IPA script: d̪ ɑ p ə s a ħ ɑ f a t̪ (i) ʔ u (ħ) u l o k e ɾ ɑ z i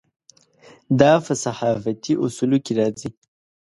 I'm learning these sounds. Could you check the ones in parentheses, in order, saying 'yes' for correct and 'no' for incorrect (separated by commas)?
yes, no